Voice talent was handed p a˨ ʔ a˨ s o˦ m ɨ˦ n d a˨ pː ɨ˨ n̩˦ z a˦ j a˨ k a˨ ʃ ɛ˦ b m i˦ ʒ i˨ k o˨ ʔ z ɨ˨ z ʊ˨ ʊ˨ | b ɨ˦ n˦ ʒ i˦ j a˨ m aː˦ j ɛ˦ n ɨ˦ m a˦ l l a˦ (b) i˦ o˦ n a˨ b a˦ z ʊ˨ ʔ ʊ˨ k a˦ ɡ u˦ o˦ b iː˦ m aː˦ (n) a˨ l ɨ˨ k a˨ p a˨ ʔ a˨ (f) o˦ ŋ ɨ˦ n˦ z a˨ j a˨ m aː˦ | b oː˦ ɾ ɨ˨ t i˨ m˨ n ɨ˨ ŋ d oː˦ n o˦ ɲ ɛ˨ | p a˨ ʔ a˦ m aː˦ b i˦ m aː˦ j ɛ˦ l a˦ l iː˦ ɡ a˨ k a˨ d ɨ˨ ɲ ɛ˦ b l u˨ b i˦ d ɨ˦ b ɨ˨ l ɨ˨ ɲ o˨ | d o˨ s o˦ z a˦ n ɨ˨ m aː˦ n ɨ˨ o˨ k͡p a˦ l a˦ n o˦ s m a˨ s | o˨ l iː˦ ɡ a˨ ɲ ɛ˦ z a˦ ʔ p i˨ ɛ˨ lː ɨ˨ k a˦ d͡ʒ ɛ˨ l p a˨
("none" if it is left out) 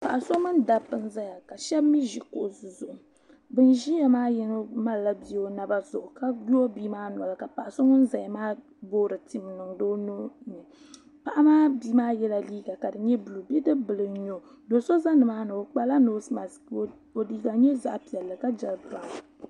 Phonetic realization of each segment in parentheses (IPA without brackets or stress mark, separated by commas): b, n, s